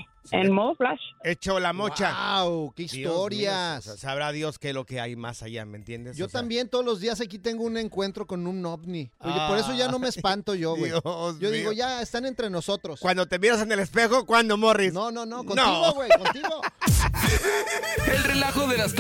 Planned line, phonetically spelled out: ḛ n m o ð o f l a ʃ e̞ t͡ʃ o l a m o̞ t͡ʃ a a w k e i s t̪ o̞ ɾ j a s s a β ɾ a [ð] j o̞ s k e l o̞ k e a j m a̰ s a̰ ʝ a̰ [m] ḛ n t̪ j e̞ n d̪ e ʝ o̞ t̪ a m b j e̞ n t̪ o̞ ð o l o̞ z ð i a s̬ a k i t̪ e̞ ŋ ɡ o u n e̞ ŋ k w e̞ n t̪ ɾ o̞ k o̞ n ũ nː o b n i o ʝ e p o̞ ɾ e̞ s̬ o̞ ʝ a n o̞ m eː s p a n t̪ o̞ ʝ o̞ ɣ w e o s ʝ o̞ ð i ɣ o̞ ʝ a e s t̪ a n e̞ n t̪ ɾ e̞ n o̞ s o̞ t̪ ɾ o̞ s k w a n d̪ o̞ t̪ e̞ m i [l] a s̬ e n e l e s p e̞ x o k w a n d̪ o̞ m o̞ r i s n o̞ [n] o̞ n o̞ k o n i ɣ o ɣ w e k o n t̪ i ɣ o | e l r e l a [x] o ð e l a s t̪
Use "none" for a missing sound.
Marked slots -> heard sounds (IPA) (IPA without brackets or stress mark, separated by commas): ð, m, ɾ, n, x